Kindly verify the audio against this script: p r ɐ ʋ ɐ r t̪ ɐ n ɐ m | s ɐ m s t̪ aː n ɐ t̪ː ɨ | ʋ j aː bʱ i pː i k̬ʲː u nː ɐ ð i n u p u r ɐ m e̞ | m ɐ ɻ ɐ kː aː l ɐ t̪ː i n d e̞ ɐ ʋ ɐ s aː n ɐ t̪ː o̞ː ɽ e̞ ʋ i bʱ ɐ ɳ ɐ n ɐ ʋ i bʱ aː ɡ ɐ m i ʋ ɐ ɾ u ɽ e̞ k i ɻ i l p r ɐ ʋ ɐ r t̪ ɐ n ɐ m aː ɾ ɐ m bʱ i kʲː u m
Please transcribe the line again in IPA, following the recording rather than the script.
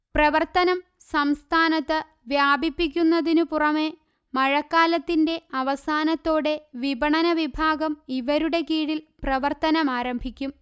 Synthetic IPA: p r ɐ ʋ ɐ r t̪ ɐ n ɐ m | s ɐ m s t̪ʰ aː n ɐ t̪ː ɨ | ʋ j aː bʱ i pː i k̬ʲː u nː ɐ ð i n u p u r ɐ m e̞ | m ɐ ɻ ɐ kː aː l ɐ t̪ː i n d e̞ ɐ ʋ ɐ s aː n ɐ t̪ː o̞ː ɽ e̞ ʋ i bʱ ɐ ɳ ɐ n ɐ ʋ i bʱ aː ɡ ɐ m i ʋ ɐ ɾ u ɽ e̞ k iː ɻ i l p r ɐ ʋ ɐ r t̪ ɐ n ɐ m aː ɾ ɐ m bʱ i kʲː u m

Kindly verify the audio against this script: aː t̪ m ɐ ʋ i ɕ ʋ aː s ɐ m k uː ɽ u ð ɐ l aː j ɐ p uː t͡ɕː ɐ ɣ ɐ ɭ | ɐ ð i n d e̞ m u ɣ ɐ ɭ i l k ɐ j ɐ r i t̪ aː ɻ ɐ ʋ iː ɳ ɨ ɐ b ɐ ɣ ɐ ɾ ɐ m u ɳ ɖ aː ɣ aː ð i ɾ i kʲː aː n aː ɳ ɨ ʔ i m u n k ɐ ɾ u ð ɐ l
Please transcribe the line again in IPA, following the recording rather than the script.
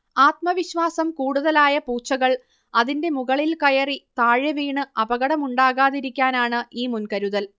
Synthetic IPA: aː t̪ m ɐ ʋ i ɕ ʋ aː s ɐ m k uː ɽ u ð ɐ l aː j ɐ p uː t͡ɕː ɐ ɣ ɐ ɭ | ɐ ð i n d e̞ m u ɣ ɐ ɭ i l k ɐ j ɐ r i t̪ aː ɻ ɐ ʋ iː ɳ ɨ ɐ b ɐ ɣ ɐ ɽ ɐ m u ɳ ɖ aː ɣ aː ð i ɾ i kʲː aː n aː ɳ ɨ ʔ iː m u n k ɐ ɾ u ð ɐ l

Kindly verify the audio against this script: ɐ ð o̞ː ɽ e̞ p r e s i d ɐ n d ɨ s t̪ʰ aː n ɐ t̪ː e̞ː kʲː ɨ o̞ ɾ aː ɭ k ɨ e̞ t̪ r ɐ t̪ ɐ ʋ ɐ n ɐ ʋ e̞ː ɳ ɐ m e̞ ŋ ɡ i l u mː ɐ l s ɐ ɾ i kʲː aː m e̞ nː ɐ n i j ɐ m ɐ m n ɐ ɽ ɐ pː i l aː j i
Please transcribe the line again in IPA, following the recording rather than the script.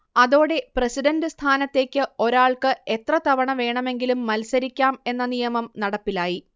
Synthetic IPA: ɐ ð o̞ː ɽ e̞ p r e s i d ɐ n d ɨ s t̪ʰ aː n ɐ t̪ː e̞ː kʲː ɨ o̞ ɾ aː ɭ k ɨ e̞ t̪ r ɐ t̪ ɐ ʋ ɐ ɳ ɐ ʋ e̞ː ɳ ɐ m e̞ ŋ ɡ i l u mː ɐ l s ɐ ɾ i kʲː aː m e̞ nː ɐ n i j ɐ m ɐ m n ɐ ɽ ɐ pː i l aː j i

